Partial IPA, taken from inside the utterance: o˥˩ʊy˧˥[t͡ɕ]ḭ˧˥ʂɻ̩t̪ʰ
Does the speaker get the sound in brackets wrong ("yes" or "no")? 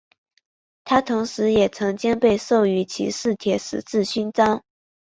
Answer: yes